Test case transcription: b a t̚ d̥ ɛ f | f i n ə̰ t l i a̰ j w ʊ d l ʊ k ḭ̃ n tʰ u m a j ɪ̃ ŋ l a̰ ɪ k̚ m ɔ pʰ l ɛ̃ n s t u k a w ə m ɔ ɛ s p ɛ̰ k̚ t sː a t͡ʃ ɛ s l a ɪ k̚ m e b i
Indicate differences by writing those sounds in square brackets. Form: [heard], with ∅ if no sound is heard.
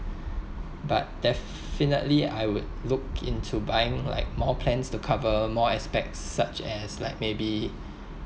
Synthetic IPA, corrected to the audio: b a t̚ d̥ ɛ f | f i n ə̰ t l i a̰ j w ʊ d l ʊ k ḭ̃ n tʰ u [b] a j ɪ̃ ŋ l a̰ ɪ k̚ m ɔ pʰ l ɛ̃ n s t u [kʰ] a [v] ə m ɔ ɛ s p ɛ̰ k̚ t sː a t͡ʃ ɛ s l a ɪ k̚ m e b i

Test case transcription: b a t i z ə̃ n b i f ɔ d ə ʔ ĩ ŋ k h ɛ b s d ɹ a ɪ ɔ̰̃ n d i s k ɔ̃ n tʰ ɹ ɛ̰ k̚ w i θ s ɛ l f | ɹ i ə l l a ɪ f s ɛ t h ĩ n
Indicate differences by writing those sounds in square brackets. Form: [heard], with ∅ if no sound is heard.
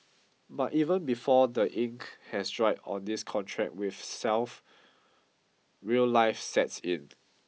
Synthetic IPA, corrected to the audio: b a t i [v] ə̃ n b i f ɔ d ə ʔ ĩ ŋ k h ɛ [∅] s d ɹ a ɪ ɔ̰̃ n d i s [kʰ] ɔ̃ n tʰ ɹ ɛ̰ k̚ w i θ s ɛ l f | ɹ i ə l l a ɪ f s ɛ t [s] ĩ n

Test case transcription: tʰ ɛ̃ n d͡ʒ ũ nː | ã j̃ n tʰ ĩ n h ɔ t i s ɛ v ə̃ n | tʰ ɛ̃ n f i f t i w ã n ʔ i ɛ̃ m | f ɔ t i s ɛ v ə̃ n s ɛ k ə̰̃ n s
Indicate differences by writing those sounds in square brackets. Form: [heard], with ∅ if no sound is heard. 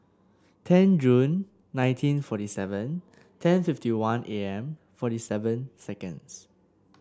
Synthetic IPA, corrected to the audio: tʰ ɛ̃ n d͡ʒ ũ nː | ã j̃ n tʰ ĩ n [f] ɔ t i s ɛ v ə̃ n | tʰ ɛ̃ n f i f t i w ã n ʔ [e] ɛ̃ m | f ɔ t i s ɛ v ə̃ n s ɛ k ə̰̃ n s

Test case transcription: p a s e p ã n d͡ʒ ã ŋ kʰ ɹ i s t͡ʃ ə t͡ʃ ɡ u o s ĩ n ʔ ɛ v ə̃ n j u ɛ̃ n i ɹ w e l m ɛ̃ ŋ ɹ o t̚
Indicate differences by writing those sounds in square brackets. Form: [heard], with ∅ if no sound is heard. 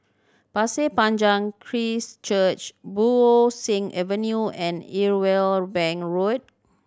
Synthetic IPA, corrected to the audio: p a s e p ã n d͡ʒ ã ŋ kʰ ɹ i s t͡ʃ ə t͡ʃ [b] u o s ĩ [ŋ] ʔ ɛ v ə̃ n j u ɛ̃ n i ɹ w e l [b] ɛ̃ ŋ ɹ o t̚

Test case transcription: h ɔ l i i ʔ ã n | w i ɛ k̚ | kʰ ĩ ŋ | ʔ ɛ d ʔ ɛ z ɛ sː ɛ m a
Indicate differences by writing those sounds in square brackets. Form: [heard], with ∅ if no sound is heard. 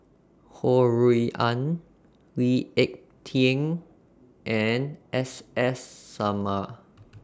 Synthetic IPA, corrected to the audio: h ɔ [ɹ] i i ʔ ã n | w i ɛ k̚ | [tʰ] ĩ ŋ | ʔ ɛ [n] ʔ ɛ [s] ɛ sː [a] m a

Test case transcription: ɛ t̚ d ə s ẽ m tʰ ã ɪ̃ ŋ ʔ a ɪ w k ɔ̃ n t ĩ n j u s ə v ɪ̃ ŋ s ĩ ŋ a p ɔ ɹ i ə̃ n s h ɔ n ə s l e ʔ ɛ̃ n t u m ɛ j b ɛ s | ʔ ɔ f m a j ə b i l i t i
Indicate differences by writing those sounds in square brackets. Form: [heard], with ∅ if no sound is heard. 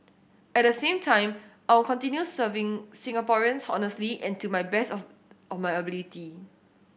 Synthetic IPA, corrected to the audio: ɛ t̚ d ə s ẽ m tʰ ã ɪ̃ [m] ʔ a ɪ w k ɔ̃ n t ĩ n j u s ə v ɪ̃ ŋ s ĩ ŋ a p ɔ ɹ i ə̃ n s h ɔ n ə s l [i] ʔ ɛ̃ n t u m [a] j b ɛ s | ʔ ɔ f m a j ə b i l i t i

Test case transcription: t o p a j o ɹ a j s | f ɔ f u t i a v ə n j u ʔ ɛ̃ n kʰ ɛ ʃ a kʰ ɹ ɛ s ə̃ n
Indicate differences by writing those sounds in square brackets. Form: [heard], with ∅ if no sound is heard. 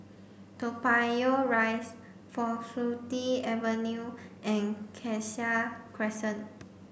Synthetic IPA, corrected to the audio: t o p a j o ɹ a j s | f ɔ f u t i [ɛ] v ə n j u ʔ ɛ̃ n kʰ ɛ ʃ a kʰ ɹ ɛ s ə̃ n

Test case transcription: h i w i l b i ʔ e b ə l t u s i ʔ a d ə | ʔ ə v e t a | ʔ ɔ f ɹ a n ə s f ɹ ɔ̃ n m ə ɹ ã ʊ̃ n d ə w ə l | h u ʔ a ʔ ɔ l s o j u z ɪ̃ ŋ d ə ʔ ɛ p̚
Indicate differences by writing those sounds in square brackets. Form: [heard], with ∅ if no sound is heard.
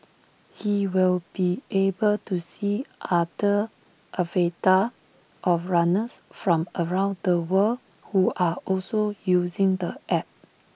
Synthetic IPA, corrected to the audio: h i w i l b i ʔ e b ə l t u s i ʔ a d ə | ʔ ə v e t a | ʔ ɔ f ɹ a n ə s f ɹ ɔ̃ [∅] m ə ɹ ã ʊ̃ n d ə w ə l | h u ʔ a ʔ ɔ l s o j u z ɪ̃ ŋ d ə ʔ ɛ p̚

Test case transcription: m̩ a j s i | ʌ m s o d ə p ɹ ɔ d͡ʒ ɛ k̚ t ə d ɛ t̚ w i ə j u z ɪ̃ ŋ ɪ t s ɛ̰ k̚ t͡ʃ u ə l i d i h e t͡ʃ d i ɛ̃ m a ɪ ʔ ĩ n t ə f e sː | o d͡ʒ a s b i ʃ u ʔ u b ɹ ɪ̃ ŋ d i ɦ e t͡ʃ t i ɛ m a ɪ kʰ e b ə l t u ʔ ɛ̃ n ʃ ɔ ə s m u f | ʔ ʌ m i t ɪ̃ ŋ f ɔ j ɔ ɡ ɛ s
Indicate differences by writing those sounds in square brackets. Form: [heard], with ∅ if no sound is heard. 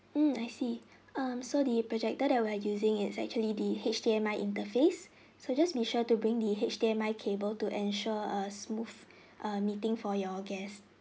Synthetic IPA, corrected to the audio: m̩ a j s i | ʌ m s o d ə p ɹ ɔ d͡ʒ ɛ k̚ t ə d ɛ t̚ w i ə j u z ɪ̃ ŋ ɪ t s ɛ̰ k̚ t͡ʃ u ə l i d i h e t͡ʃ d i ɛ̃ m a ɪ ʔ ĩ n t ə f e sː | o d͡ʒ a s b i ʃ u [t] u b ɹ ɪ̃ ŋ d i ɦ e t͡ʃ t i ɛ m a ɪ kʰ e b ə l t u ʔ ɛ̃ n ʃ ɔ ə s m u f | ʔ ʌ m i t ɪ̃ ŋ f ɔ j ɔ ɡ ɛ s

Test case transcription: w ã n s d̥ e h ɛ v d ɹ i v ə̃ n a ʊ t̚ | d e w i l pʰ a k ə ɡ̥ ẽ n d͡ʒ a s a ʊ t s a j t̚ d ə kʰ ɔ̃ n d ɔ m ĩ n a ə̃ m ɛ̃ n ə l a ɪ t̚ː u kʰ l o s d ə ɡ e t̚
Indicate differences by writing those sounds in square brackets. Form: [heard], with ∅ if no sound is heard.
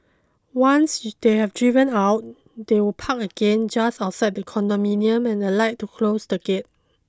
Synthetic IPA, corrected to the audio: w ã n s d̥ e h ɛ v d ɹ i v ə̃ n a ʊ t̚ | d e w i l pʰ a k ə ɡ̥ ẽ n d͡ʒ a s a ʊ t s a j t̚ d ə kʰ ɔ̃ n d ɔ m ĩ n [i] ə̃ m ɛ̃ n ə l a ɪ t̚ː u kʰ l o s d ə ɡ e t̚

